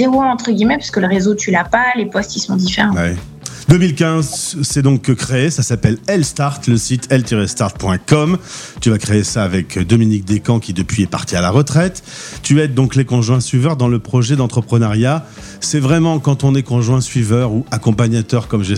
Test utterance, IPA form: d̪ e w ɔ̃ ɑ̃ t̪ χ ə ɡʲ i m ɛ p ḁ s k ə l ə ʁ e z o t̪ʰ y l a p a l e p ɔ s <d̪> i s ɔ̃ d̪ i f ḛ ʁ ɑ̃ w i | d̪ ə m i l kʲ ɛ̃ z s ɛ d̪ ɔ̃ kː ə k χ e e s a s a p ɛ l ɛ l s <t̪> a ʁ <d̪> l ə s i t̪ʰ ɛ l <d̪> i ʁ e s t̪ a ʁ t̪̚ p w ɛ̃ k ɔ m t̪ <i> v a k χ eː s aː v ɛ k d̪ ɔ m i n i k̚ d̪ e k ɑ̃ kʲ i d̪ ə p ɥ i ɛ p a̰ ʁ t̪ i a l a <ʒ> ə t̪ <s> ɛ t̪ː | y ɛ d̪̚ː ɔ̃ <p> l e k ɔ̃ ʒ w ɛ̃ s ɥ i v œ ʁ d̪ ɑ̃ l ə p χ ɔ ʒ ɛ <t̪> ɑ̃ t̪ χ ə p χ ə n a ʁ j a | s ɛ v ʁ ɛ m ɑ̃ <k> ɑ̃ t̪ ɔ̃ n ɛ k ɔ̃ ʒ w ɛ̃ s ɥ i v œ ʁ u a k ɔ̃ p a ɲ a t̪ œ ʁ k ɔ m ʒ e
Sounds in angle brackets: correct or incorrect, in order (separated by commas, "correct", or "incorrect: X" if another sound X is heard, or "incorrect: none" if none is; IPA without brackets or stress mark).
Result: incorrect: t̪, correct, incorrect: t̪, incorrect: t̪, incorrect: y, incorrect: ʁ, incorrect: χ, incorrect: k, incorrect: d̪, correct